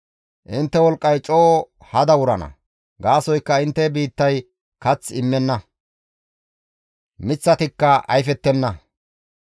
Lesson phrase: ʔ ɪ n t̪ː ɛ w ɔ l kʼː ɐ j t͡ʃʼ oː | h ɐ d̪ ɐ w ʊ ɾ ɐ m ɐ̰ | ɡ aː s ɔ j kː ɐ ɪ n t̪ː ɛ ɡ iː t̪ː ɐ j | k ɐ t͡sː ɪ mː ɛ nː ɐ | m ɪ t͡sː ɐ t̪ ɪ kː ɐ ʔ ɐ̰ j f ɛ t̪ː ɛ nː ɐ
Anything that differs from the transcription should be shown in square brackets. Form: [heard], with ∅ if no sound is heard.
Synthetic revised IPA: ʔ ɪ n t̪ː ɛ w ɔ l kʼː ɐ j t͡ʃʼ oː | h ɐ d̪ ɐ w ʊ ɾ ɐ [n] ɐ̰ | ɡ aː s ɔ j kː ɐ ɪ n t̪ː ɛ [b] iː t̪ː ɐ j | k ɐ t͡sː ɪ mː ɛ nː ɐ | m ɪ t͡sː ɐ t̪ ɪ kː ɐ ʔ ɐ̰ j f ɛ t̪ː ɛ nː ɐ